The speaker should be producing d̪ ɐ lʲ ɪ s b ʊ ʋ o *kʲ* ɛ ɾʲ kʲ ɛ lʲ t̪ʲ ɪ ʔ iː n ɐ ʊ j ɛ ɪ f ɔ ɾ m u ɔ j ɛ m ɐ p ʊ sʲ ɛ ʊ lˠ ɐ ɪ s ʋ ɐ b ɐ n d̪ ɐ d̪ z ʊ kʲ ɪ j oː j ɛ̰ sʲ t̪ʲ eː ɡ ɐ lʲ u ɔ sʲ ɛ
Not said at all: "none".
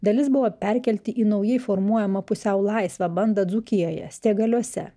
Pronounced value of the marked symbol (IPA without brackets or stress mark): pʲ